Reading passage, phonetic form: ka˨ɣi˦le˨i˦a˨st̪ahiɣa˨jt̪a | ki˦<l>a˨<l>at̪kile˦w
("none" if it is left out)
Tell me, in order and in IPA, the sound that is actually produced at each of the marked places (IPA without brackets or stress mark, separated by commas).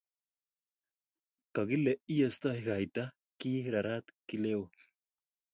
ɾ, ɾ